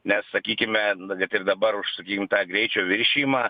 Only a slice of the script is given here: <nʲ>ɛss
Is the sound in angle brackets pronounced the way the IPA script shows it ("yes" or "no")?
yes